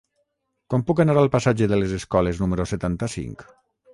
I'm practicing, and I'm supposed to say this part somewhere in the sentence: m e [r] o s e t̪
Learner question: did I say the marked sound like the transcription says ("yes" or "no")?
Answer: no